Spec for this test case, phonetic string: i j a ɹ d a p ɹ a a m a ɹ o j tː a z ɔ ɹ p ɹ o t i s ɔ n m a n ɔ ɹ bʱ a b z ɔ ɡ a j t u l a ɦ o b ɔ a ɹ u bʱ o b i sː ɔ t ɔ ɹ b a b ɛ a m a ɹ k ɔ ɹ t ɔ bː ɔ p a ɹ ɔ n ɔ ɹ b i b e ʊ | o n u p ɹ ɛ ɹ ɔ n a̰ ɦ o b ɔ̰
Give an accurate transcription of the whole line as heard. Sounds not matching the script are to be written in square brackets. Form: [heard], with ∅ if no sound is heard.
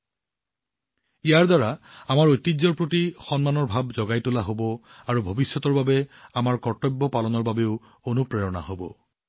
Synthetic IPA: i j a ɹ d a [∅] ɹ a a m a ɹ o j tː [i] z ɔ ɹ p ɹ o t i [x] ɔ n m a n ɔ ɹ bʱ a b z ɔ ɡ a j t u l a ɦ o b ɔ a ɹ u bʱ o b i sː ɔ t ɔ ɹ b a b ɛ a m a ɹ k ɔ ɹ t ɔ bː ɔ p a [l] ɔ n ɔ ɹ b [a] b e ʊ | o n u p ɹ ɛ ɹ ɔ n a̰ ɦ o b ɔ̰